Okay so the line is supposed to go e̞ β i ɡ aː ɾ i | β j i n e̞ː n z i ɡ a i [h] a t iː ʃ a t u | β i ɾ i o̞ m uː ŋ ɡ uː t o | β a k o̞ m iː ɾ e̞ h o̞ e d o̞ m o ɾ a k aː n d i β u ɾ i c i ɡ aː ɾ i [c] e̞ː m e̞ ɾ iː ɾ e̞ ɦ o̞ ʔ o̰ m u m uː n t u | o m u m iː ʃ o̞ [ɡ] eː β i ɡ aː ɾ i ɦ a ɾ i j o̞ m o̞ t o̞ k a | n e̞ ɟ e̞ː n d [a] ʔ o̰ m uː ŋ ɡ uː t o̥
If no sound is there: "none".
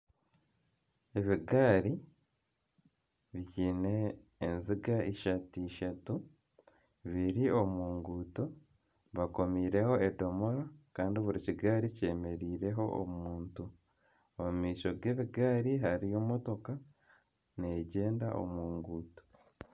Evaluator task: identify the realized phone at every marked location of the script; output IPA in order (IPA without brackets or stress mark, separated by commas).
ʃ, c, ɡ, a